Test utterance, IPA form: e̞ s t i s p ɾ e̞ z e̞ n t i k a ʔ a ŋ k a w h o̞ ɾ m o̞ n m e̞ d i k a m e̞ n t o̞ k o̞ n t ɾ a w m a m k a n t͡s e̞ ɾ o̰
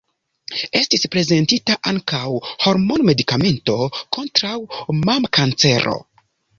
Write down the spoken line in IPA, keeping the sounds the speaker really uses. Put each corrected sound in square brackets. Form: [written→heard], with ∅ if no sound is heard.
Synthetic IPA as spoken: e̞ s t i s p ɾ e̞ z e̞ n t i [k→t] a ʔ a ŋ k a w h o̞ ɾ m o̞ n m e̞ d i k a m e̞ n t o̞ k o̞ n t ɾ a w m a m k a n t͡s e̞ ɾ o̰